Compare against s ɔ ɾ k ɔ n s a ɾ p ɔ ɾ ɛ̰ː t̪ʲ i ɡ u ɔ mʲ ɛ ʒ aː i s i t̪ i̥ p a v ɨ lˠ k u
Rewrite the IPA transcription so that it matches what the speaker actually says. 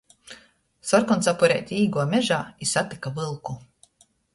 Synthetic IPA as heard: s ɔ ɾ k ɔ n s a p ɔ ɾ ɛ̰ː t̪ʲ iː ɡ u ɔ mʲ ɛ ʒ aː i s a t̪ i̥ k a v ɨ lˠ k u